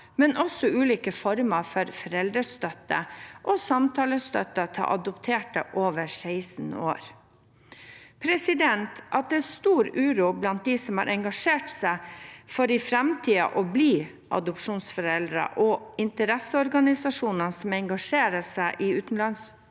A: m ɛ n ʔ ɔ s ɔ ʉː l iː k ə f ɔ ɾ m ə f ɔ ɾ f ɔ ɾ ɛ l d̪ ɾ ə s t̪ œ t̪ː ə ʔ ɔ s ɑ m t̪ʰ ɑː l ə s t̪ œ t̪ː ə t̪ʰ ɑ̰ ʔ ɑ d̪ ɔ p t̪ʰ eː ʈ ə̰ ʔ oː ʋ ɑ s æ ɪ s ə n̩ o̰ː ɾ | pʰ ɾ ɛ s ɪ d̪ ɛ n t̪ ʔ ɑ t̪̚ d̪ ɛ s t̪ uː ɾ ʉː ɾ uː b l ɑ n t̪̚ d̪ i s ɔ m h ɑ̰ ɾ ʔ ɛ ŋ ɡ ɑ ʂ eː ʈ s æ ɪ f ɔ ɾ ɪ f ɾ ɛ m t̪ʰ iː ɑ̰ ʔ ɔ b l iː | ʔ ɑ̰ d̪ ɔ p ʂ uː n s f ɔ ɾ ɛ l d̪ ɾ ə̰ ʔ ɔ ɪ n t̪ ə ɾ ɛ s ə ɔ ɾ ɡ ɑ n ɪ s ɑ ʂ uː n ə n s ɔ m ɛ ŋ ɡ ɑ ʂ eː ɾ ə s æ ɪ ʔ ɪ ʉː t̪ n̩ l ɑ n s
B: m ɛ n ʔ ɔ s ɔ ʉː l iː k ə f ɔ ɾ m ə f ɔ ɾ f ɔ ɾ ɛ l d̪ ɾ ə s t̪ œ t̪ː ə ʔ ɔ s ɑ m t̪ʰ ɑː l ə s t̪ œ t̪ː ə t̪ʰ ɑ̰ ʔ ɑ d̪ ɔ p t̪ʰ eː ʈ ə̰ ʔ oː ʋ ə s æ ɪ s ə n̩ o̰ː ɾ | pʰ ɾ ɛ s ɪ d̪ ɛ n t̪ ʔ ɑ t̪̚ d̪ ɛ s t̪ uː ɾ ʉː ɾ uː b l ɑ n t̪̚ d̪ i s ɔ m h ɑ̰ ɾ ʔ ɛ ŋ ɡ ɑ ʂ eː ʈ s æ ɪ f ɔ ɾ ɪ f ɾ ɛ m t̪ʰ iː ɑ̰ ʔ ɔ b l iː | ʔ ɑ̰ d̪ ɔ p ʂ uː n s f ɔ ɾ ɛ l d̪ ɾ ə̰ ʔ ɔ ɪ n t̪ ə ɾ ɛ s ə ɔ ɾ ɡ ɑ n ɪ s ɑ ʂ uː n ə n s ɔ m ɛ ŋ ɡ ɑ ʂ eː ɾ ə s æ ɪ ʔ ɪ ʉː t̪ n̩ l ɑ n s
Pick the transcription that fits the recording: B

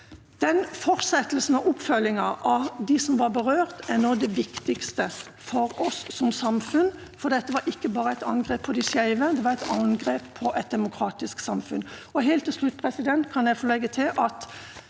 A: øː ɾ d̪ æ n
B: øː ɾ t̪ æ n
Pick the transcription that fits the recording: B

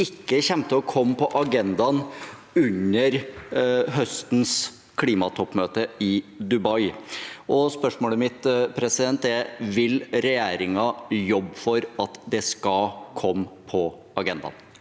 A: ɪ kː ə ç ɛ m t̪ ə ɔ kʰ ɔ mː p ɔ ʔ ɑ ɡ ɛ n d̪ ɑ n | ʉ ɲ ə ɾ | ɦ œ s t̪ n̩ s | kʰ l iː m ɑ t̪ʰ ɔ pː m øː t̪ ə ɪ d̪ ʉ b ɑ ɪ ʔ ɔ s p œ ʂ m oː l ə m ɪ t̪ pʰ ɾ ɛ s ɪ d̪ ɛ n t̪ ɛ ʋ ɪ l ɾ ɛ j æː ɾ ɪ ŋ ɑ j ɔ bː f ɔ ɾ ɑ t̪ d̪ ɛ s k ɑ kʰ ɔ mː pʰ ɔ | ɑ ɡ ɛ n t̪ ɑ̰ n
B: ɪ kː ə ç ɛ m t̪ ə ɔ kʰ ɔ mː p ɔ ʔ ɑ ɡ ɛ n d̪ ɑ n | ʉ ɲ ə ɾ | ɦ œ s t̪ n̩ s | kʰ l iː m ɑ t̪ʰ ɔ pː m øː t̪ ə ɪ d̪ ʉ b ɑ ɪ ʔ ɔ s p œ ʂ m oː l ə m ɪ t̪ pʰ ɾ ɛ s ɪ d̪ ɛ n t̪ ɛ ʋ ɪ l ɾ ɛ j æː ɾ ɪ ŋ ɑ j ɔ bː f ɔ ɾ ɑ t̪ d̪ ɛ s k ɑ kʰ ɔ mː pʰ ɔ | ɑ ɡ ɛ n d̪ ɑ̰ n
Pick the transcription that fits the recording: B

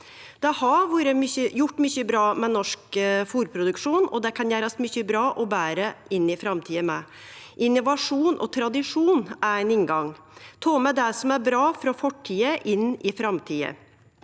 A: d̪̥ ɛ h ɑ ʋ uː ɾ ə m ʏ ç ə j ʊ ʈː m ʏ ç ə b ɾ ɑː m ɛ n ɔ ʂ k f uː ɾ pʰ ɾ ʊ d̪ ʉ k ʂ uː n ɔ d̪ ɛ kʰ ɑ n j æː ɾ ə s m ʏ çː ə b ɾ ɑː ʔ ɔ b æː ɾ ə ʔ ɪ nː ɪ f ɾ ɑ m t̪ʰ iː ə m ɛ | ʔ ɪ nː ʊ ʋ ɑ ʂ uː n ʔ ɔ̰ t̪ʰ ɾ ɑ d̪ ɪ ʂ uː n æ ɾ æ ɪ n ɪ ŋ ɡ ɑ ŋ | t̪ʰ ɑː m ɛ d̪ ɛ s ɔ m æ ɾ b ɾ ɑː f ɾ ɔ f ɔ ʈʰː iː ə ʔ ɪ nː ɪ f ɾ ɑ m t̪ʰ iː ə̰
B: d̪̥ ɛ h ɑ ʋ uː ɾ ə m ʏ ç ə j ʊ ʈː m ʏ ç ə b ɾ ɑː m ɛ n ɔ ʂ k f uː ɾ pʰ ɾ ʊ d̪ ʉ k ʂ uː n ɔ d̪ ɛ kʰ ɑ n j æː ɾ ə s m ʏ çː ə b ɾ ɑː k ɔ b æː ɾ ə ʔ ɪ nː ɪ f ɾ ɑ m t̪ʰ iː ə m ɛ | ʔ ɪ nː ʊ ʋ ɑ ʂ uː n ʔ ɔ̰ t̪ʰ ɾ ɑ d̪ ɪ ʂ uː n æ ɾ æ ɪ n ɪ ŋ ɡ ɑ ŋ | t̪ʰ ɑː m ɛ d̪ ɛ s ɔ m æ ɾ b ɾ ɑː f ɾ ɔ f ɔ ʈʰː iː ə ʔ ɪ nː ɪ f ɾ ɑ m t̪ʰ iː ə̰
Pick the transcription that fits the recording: A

